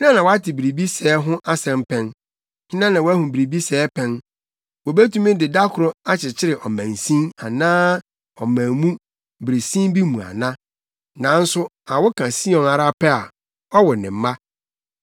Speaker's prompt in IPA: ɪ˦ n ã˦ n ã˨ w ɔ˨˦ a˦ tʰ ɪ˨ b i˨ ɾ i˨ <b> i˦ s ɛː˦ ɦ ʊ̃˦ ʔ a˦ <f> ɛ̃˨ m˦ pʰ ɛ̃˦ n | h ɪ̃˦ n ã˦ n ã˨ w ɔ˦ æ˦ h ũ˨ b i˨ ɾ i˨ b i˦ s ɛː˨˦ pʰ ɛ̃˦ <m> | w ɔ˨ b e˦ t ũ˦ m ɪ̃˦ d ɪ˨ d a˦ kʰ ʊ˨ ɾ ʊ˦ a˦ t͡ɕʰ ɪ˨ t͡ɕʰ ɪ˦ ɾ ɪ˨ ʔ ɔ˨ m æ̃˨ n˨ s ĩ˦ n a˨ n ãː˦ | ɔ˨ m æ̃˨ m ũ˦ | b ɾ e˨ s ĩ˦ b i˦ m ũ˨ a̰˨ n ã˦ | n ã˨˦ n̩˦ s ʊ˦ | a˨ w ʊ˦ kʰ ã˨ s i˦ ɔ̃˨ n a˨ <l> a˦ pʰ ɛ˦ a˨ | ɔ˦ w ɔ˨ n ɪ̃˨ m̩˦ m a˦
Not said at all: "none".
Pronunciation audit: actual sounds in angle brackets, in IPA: b, s, n, ɾ

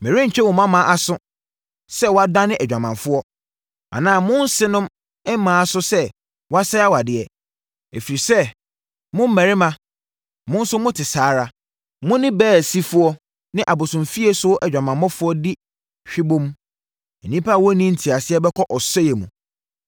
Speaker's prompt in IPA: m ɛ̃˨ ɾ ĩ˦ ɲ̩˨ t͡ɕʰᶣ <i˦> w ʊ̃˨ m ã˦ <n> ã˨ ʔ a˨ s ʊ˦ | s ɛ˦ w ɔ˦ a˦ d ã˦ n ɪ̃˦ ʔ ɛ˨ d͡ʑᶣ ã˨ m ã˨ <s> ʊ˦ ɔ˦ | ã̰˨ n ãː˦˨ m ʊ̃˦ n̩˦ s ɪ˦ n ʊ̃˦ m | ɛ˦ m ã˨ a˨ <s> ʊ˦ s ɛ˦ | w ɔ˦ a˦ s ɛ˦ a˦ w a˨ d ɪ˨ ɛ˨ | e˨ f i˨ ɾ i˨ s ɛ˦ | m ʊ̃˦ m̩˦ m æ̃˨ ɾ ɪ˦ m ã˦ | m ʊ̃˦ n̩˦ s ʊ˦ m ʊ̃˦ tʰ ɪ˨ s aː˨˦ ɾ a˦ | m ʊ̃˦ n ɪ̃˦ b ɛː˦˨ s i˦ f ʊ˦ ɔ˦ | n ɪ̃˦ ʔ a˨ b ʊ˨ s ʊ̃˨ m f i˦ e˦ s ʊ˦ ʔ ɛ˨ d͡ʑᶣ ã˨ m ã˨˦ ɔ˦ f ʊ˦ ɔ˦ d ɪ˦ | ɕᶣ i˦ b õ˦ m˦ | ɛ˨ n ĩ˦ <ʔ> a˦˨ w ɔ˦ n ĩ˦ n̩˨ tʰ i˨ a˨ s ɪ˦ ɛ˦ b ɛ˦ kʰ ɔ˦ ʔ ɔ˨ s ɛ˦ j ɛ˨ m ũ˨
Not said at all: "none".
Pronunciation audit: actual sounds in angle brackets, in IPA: ɛ˦, m, f, s, p

